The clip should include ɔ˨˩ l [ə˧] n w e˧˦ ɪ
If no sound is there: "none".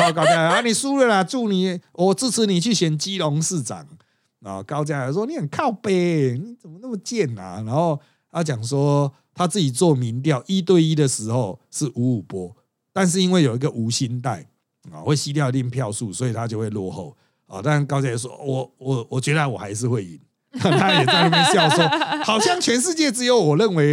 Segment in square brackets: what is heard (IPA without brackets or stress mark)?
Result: ə˥˨